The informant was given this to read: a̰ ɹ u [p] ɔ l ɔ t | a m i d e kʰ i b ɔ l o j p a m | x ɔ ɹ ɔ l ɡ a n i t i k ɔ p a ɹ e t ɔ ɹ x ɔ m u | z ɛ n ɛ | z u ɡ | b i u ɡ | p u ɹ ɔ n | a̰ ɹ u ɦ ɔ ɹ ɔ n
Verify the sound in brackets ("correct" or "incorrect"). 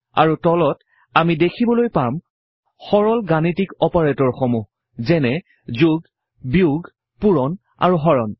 incorrect